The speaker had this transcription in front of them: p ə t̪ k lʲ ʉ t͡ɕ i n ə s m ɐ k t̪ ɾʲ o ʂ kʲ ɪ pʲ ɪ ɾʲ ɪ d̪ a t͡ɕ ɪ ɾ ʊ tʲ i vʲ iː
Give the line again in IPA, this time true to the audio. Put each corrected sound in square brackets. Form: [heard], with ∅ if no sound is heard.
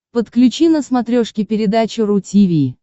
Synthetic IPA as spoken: p ə t̪ k lʲ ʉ t͡ɕ i n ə s m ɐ [∅] t̪ ɾʲ o ʂ kʲ ɪ pʲ ɪ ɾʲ ɪ d̪ a t͡ɕ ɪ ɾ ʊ tʲ i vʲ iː